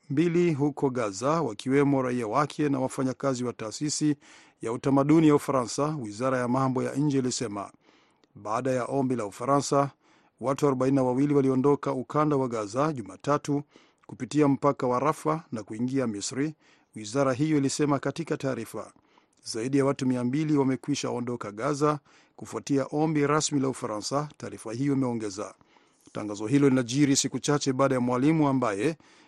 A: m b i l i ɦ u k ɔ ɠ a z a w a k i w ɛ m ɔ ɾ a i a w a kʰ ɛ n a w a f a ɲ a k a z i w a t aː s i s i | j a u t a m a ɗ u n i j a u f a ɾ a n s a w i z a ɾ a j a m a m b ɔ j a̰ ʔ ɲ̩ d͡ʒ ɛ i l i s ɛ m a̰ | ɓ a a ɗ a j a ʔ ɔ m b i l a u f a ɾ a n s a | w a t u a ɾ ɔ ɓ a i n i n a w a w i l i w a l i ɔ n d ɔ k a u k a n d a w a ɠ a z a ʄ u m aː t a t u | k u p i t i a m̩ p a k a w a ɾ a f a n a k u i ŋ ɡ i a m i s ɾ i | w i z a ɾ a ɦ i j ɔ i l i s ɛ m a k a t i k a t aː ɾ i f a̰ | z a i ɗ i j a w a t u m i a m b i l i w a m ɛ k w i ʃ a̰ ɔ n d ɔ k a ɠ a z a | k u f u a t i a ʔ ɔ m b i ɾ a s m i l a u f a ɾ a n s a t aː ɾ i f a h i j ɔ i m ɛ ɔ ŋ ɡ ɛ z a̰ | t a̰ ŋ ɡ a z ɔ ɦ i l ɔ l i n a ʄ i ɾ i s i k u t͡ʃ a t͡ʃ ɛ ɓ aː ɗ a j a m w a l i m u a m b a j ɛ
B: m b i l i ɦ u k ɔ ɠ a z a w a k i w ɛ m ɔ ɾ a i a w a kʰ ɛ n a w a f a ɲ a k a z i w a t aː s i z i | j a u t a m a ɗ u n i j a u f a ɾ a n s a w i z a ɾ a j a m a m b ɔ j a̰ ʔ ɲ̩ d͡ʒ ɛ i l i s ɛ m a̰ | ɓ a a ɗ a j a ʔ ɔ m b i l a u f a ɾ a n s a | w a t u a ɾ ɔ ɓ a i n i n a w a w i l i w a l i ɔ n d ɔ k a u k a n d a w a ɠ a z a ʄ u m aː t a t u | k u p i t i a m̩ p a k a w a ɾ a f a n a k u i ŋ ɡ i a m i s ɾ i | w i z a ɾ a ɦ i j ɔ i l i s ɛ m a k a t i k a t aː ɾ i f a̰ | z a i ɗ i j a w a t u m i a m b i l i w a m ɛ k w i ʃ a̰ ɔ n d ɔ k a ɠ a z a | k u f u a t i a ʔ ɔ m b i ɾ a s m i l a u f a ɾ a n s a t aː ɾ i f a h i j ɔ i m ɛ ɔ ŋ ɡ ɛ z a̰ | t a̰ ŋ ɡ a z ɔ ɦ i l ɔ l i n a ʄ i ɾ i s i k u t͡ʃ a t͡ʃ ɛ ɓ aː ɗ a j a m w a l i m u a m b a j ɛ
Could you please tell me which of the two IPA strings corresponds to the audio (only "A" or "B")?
A